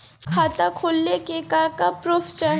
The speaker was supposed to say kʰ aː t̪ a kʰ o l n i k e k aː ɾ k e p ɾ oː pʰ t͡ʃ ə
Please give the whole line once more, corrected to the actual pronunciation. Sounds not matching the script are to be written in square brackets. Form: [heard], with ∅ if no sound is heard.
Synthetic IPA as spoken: kʰ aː t̪ a kʰ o l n [e] k e k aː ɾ k [a] p ɾ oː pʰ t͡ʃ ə